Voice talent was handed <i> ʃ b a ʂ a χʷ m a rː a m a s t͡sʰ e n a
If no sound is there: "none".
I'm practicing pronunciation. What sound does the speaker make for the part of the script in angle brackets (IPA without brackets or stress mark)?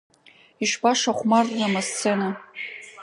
i